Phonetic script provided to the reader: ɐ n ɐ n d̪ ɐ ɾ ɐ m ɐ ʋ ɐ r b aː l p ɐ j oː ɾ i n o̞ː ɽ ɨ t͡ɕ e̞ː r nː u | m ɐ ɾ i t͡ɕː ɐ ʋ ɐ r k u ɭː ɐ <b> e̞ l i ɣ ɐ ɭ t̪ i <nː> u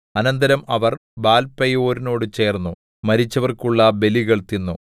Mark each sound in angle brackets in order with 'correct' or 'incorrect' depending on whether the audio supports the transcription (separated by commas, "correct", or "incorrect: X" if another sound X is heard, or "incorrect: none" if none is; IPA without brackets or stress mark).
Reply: correct, correct